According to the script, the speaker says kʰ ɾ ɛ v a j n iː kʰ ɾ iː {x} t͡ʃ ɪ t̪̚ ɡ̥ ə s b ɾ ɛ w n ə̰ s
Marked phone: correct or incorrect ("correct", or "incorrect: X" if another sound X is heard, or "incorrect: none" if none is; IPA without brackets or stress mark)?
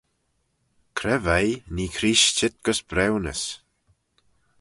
incorrect: ʃ